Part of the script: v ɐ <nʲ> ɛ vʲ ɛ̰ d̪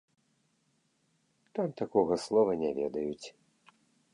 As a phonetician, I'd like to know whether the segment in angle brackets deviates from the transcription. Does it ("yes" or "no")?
no